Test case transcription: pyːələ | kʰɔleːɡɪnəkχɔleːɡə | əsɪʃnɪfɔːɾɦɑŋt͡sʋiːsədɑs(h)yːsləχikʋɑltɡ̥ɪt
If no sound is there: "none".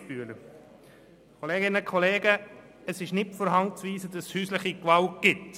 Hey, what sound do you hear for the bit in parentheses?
h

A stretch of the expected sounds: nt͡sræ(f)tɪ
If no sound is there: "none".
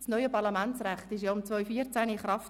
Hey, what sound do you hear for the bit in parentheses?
χ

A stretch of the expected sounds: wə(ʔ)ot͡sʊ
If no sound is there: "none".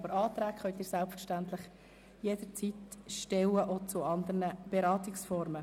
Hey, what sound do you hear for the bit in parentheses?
ʔ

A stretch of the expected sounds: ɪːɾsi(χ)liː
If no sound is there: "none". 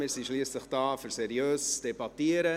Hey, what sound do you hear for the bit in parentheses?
ʃ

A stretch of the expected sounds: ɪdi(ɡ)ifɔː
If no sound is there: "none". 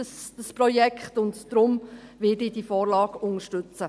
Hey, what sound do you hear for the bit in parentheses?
d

